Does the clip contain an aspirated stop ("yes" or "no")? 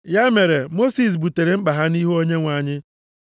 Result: no